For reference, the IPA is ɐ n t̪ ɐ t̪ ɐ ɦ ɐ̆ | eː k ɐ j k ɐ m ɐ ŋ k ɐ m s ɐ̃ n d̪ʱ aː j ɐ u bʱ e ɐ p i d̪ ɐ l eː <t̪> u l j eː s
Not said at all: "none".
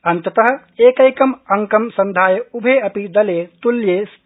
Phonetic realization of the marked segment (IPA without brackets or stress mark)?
t̪